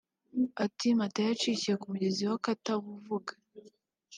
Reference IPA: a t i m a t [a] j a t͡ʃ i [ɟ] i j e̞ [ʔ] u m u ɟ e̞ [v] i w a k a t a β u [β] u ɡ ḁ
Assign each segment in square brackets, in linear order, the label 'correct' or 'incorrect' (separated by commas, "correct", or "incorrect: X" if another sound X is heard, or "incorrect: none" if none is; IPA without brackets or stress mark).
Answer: correct, incorrect: c, incorrect: k, incorrect: z, incorrect: v